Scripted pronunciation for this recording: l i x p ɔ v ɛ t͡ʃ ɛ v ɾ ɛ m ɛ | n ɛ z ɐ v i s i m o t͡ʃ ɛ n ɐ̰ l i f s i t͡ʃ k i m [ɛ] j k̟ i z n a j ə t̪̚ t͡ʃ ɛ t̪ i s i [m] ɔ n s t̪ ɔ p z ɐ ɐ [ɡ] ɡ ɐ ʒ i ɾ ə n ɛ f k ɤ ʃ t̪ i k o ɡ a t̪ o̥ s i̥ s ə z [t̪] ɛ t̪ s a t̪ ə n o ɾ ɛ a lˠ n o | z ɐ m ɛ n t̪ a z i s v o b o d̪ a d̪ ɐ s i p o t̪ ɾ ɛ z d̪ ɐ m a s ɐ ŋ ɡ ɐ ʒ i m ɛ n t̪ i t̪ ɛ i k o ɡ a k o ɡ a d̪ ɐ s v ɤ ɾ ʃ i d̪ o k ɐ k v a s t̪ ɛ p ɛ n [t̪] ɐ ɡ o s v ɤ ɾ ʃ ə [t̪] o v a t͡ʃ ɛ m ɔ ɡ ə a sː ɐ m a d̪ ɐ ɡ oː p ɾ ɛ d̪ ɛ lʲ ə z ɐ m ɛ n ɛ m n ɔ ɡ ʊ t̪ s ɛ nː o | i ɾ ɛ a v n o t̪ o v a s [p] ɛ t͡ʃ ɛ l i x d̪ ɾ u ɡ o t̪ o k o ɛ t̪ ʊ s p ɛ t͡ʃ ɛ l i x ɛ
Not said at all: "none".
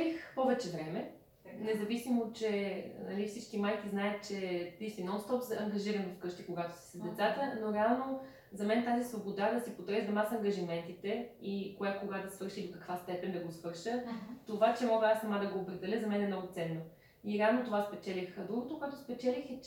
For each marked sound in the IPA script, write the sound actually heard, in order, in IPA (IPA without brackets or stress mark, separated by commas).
a, n, ŋ, d̪, d̪, t̪, p